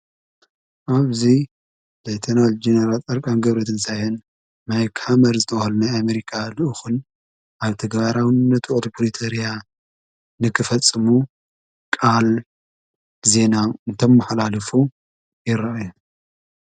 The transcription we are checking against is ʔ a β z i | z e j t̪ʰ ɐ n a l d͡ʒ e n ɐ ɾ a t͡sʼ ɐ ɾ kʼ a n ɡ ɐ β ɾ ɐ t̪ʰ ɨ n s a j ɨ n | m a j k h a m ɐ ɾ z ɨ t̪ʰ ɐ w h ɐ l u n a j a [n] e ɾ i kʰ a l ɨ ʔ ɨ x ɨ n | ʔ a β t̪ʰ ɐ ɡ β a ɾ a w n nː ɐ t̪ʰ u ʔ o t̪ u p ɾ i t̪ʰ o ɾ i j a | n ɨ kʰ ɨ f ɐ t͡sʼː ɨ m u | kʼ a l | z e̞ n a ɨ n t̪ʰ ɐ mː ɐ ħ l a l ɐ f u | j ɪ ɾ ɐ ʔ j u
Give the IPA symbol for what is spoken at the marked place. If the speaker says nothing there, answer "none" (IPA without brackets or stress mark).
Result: m